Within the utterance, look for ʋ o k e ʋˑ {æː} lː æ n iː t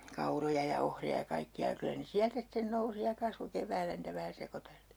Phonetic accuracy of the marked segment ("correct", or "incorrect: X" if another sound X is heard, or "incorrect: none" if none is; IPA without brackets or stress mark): correct